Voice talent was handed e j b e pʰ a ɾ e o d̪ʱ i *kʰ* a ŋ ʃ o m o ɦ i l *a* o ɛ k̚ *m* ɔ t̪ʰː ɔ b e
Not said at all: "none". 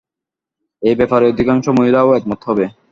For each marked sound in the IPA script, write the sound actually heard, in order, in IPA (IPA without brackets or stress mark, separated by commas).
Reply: k, a, m